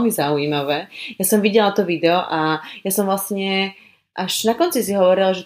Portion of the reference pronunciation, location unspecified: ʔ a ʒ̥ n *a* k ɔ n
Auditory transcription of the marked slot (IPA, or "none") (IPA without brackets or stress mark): a